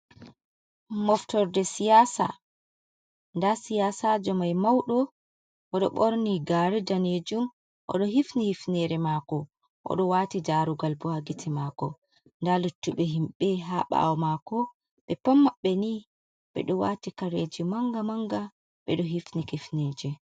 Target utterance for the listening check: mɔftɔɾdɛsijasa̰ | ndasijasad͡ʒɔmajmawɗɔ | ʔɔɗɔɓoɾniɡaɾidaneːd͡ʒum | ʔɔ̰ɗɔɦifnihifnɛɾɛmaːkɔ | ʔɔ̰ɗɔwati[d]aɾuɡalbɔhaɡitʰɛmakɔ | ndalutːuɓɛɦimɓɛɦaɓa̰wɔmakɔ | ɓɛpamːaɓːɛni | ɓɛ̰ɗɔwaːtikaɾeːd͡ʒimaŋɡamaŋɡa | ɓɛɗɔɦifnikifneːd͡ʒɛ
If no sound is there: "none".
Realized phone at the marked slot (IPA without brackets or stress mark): d͡ʒ